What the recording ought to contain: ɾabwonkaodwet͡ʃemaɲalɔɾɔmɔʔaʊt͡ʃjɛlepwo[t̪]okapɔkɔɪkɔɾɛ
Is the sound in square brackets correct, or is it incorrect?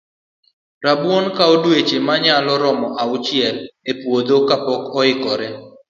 incorrect